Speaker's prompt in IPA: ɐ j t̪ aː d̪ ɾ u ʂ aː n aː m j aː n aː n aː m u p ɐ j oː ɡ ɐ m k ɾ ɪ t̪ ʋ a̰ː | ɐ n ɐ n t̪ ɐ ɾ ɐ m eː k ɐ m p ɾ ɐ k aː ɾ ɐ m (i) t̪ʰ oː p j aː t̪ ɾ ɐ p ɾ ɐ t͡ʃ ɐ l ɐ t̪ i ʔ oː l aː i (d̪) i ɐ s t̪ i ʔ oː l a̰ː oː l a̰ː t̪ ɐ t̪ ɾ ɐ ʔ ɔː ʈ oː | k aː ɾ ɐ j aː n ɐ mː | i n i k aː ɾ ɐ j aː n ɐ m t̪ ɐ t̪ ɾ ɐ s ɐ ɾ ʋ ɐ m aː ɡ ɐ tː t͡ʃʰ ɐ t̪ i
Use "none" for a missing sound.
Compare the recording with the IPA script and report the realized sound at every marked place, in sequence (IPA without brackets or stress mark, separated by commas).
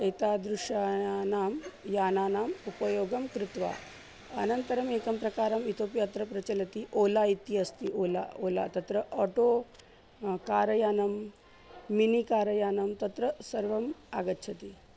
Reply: i, t̪